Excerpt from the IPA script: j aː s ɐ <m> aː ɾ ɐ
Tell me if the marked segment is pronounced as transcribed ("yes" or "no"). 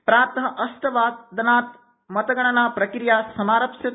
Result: yes